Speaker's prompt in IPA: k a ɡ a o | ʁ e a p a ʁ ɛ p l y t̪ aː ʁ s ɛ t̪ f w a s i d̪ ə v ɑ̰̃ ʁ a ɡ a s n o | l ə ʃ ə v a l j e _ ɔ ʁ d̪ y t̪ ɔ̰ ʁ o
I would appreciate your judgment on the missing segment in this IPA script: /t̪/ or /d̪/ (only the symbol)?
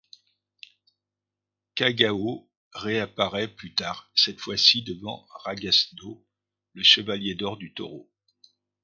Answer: d̪